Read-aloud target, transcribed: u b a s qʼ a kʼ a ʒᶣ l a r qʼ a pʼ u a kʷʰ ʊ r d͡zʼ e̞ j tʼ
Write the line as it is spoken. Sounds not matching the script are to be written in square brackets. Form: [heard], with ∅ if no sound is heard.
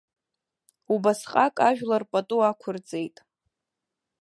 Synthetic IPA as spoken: u b a s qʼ a kʼ a ʒᶣ l a r [pʼ] a [tʼ] u a kʷʰ ʊ r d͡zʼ e̞ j tʼ